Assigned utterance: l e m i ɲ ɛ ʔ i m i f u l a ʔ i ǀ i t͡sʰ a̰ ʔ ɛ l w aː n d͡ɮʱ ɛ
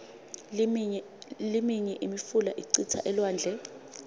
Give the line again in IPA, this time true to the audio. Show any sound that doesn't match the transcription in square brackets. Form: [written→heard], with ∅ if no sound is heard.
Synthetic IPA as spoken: l [e→i] m i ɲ ɛ ʔ i m i f u l a ʔ i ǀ i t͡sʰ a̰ ʔ ɛ l w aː n d͡ɮʱ ɛ

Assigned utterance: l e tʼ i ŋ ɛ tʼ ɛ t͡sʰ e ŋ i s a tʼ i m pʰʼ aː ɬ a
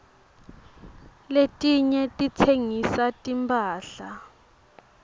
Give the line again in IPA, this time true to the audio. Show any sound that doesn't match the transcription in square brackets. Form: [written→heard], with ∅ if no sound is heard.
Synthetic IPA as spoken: l e tʼ i [ŋ→ɲ] ɛ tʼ [ɛ→i] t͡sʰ e ŋ i s a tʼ i m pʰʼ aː ɬ a

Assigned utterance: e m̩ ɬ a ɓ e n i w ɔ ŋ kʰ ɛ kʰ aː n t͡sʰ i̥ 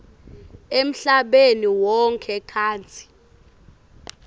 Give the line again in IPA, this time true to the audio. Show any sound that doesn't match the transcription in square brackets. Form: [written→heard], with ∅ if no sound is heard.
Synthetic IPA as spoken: e m̩ ɬ a ɓ e n i w ɔ ŋ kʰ ɛ kʰ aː n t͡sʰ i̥

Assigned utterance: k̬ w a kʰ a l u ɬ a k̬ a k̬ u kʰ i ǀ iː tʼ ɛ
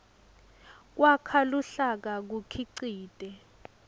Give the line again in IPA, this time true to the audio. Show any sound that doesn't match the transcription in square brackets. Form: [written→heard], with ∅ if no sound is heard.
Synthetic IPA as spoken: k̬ w a kʰ a l u ɬ a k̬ a k̬ u kʰ i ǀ iː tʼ ɛ

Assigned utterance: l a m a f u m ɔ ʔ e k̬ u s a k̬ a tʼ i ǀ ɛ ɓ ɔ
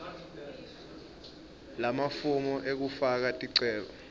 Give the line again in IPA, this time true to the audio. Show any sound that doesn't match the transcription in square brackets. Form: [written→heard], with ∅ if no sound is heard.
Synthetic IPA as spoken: l a m a f u m ɔ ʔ e k̬ u [s→f] a k̬ a tʼ i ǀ [ɛ→ɛː] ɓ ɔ

